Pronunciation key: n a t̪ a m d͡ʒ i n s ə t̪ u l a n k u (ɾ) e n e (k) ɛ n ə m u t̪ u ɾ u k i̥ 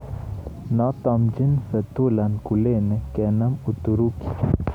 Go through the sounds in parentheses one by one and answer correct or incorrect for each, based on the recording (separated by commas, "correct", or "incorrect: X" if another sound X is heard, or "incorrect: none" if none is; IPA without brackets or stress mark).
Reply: incorrect: l, correct